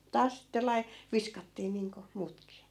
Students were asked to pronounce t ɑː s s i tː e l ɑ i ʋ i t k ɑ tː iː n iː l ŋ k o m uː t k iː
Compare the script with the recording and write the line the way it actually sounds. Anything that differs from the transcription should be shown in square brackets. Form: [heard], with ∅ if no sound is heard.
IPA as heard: t ɑː s s i tː e l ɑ i ʋ i [s] k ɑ tː iː n iː [∅] ŋ k o m uː t k iː